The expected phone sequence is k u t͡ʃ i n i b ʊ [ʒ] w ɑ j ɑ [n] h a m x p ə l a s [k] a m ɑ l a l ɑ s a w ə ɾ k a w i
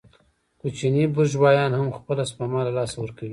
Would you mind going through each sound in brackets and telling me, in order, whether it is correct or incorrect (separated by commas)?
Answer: correct, correct, incorrect